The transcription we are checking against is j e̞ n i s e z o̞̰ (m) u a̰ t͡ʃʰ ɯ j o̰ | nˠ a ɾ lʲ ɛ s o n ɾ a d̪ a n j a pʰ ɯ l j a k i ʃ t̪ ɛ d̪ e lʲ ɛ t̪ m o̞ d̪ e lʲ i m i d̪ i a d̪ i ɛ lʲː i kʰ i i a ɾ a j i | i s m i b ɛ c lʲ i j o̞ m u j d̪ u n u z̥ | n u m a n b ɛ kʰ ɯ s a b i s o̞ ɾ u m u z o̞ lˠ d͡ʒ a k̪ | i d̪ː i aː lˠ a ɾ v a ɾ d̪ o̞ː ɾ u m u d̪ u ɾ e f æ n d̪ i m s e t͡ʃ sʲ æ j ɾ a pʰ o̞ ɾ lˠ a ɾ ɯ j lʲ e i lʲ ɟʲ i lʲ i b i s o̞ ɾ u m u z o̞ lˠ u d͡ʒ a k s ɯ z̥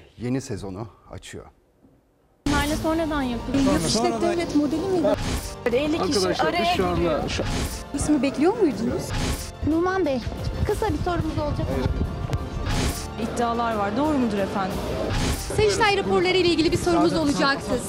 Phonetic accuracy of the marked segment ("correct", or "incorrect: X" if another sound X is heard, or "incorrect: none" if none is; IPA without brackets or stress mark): incorrect: n